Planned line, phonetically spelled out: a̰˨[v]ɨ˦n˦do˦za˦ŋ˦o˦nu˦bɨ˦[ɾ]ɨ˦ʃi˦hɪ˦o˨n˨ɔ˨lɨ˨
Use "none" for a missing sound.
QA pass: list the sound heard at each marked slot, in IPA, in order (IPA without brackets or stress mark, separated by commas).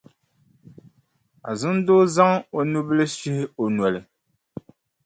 z, l